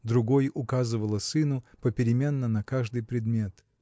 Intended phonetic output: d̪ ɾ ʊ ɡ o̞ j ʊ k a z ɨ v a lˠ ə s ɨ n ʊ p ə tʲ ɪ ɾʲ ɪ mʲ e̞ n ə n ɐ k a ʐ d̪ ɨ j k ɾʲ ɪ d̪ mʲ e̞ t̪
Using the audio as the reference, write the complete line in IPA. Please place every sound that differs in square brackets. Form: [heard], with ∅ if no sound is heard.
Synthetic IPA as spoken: d̪ ɾ ʊ ɡ o̞ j ʊ k a z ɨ v [ə] lˠ ə s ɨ n ʊ p ə [pʲ] ɪ ɾʲ ɪ mʲ e̞ [nː] ə n ɐ k a ʐ d̪ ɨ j [p] ɾʲ ɪ d̪ mʲ e̞ t̪